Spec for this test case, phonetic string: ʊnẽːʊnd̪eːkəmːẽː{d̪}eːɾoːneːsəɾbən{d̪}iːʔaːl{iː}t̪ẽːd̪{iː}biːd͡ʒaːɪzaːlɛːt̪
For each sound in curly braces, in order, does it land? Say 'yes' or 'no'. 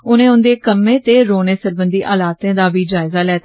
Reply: no, yes, no, no

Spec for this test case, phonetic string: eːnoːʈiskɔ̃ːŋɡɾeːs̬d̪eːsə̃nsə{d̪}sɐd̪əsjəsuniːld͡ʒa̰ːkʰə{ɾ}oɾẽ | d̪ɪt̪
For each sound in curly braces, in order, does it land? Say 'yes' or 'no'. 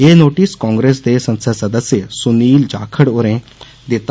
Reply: no, no

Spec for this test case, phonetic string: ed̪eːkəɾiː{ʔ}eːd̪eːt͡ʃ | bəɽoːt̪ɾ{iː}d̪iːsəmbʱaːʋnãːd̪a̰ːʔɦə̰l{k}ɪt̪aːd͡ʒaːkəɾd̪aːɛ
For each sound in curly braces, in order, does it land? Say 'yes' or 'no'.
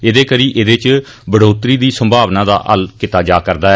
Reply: yes, yes, yes

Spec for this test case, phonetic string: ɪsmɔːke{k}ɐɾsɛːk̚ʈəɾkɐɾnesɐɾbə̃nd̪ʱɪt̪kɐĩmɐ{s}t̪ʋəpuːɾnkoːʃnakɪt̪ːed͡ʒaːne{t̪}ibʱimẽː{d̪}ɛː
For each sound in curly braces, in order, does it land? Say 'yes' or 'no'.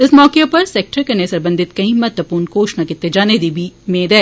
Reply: no, no, no, yes

